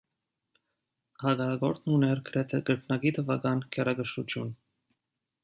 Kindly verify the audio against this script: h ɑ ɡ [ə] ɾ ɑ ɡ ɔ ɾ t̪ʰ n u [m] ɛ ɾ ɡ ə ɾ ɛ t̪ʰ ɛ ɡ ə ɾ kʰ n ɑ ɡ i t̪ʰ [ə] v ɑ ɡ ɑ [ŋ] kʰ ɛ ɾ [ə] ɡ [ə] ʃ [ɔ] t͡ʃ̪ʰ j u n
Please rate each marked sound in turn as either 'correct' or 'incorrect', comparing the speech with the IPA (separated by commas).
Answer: incorrect, incorrect, correct, incorrect, incorrect, correct, incorrect